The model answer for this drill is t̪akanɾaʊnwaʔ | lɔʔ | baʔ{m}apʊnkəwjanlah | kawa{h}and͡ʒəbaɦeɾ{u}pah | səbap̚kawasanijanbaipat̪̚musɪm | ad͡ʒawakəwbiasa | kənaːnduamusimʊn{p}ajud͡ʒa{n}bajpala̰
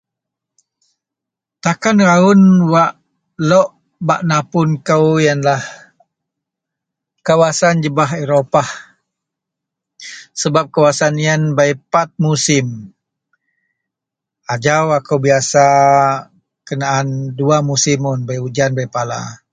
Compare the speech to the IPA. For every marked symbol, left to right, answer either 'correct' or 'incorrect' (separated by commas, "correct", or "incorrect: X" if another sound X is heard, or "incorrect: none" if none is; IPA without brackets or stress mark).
incorrect: n, incorrect: s, incorrect: o, incorrect: b, correct